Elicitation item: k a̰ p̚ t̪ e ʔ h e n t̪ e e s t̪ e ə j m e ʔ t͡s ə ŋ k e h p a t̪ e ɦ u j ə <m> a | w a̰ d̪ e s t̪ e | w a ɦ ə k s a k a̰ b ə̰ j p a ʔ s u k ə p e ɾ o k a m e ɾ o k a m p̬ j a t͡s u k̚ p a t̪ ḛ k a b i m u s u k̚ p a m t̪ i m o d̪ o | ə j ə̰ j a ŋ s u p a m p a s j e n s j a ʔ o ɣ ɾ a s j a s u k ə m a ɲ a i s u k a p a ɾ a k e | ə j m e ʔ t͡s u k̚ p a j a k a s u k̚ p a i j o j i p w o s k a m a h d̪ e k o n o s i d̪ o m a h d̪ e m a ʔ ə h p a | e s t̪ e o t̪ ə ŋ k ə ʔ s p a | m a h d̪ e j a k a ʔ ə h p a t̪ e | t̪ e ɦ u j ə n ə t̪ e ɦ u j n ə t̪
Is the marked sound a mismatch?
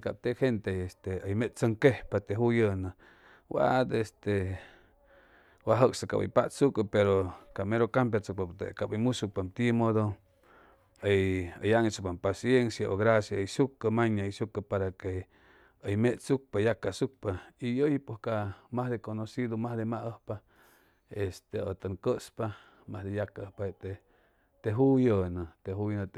yes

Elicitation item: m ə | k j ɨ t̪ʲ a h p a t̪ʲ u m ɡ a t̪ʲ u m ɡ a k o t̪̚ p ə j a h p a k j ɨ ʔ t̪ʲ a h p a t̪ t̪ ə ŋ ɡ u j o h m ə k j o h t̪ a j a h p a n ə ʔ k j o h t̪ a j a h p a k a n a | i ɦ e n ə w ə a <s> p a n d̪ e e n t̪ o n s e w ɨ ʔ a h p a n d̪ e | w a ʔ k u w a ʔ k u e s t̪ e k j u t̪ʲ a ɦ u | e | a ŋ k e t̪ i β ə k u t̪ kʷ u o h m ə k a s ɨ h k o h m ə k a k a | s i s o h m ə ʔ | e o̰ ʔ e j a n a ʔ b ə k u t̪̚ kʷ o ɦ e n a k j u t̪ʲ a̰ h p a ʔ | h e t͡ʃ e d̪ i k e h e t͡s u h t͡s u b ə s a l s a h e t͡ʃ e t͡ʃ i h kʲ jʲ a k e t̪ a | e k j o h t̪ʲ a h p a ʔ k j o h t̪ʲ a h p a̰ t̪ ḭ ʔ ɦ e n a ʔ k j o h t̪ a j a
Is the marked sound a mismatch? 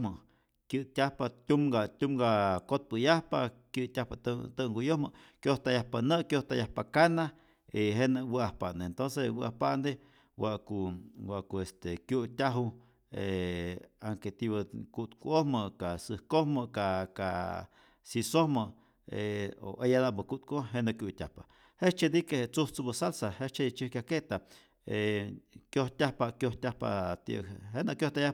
yes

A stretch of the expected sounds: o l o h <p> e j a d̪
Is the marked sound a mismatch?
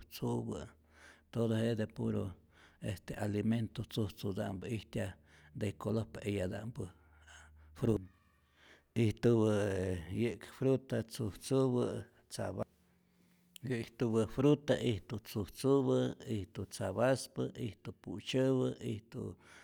no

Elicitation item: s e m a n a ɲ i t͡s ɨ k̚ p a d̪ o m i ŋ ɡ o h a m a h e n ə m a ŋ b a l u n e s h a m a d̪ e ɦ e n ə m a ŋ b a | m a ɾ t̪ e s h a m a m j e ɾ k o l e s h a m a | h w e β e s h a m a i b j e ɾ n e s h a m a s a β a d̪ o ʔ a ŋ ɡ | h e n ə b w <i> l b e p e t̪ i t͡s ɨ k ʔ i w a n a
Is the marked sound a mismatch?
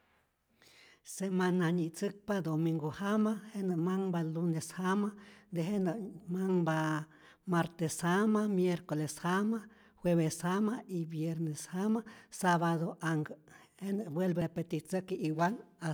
yes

